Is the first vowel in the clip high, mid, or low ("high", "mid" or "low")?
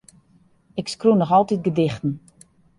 high